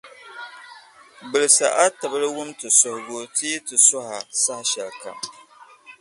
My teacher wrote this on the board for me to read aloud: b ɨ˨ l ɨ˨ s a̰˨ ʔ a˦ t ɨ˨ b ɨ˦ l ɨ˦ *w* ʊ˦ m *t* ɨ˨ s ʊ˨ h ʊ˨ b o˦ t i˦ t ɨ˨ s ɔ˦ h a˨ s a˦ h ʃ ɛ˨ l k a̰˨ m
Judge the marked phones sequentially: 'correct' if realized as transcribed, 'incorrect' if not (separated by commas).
correct, correct